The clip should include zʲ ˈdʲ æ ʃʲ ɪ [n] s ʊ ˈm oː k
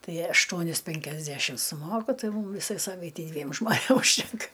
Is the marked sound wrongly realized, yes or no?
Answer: yes